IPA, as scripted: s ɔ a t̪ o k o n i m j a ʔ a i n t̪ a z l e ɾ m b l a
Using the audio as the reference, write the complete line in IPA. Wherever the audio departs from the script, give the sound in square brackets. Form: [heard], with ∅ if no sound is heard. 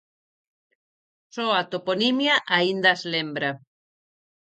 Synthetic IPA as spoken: s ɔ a t̪ o [p] o n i m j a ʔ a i n [d̪] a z l e [∅] m b [ɾ] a